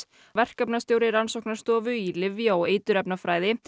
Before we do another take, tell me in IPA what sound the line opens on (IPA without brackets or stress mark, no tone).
v